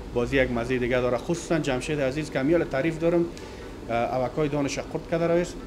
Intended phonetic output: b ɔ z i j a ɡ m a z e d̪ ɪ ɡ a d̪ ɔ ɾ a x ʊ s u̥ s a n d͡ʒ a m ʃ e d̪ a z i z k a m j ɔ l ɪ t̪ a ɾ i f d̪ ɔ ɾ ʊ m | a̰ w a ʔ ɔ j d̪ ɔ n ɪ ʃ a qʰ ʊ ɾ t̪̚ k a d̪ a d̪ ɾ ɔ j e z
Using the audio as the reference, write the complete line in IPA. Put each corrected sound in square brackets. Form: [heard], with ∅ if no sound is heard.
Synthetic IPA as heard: b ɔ z i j a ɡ m a z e d̪ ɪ ɡ a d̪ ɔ ɾ a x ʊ s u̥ s a n d͡ʒ a m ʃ e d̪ a z i z k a m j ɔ l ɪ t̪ a ɾ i f d̪ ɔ ɾ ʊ m | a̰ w a [k] ɔ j d̪ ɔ n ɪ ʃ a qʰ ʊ ɾ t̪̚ k a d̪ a [∅] ɾ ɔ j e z